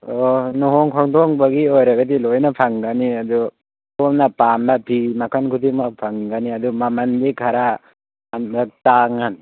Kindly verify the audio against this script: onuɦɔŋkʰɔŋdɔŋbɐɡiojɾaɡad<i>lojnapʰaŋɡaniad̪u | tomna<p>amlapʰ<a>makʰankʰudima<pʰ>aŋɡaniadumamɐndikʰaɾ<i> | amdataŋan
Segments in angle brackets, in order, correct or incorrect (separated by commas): correct, correct, incorrect, correct, incorrect